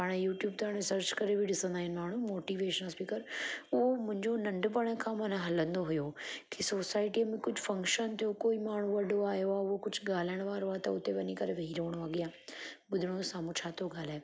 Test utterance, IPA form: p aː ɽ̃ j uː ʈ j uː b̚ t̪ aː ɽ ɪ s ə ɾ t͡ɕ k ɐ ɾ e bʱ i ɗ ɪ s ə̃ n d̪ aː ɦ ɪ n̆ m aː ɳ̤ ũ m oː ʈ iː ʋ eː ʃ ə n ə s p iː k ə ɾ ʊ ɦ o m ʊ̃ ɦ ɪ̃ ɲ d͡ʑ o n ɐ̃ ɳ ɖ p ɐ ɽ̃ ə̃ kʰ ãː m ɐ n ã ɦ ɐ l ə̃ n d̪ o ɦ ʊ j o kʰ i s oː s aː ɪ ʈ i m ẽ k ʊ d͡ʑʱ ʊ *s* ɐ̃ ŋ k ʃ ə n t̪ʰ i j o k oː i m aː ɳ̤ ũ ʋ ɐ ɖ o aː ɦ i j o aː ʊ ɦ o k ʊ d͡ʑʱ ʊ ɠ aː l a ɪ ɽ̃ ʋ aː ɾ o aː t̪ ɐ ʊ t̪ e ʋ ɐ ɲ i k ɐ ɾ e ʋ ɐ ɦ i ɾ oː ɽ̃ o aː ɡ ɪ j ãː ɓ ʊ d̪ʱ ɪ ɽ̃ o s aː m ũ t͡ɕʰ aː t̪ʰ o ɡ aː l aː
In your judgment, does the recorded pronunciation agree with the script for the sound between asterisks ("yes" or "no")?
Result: no